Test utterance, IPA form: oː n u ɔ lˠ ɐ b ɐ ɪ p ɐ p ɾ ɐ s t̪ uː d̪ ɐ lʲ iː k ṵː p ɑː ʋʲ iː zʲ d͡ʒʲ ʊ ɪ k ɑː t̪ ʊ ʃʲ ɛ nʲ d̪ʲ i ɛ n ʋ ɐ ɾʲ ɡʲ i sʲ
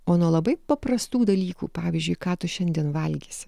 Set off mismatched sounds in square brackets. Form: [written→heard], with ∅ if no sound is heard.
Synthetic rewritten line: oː n u ɔ lˠ ɐ b ɐ ɪ p ɐ p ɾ ɐ s t̪ uː d̪ ɐ lʲ iː k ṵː p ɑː ʋʲ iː zʲ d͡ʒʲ ʊ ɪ k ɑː t̪ ʊ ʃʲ ɛ nʲ d̪ʲ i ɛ n ʋ ɐ [ɾʲ→lʲ] ɡʲ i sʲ